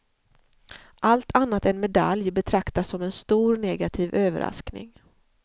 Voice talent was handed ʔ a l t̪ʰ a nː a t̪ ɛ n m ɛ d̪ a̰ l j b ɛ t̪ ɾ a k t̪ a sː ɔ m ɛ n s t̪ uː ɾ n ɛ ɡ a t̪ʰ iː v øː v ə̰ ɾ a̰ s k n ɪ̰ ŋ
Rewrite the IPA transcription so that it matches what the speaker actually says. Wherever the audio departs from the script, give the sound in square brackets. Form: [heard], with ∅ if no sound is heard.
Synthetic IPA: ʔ a l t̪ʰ a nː a t̪ ɛ n m ɛ d̪ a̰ l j b ɛ [t̪ʰ] ɾ a k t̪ a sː ɔ m ɛ n s t̪ uː ɾ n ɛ ɡ a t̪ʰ iː v øː v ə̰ ɾ a̰ s k n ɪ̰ ŋ